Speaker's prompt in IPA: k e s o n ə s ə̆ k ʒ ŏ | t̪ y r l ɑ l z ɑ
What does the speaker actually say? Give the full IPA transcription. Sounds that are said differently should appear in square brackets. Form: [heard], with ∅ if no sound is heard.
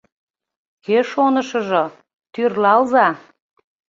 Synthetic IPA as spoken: k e [ʃ] o n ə [ʃ] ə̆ [∅] ʒ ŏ | t̪ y r l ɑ l z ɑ